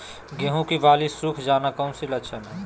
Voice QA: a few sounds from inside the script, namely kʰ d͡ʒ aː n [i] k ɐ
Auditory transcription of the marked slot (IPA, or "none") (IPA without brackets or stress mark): a